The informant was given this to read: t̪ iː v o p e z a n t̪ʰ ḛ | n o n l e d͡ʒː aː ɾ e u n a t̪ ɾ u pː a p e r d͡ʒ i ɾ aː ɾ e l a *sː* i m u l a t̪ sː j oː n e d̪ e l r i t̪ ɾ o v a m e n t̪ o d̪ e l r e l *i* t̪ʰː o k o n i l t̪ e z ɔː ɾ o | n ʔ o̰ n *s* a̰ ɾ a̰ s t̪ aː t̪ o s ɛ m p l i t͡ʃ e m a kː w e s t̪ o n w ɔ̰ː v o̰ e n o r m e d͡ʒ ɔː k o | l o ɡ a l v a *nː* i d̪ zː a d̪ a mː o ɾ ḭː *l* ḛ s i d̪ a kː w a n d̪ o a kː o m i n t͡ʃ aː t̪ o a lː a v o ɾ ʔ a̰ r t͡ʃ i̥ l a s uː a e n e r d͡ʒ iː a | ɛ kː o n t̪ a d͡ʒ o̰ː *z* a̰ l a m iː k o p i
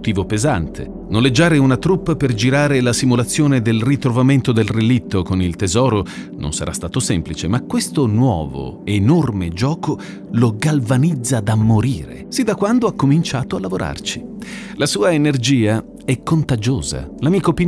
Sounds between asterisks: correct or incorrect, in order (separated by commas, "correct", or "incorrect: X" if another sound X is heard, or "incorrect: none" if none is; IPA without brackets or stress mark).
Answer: incorrect: s, correct, correct, incorrect: n, incorrect: ɾ, correct